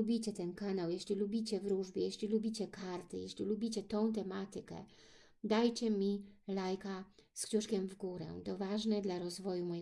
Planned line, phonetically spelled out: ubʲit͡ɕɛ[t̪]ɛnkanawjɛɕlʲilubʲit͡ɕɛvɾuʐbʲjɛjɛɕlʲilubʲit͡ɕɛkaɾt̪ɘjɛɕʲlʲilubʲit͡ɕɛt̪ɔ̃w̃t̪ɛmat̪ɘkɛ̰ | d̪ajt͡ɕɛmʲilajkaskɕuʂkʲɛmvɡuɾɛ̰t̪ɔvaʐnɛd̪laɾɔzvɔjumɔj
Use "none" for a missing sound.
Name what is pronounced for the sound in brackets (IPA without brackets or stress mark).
t̪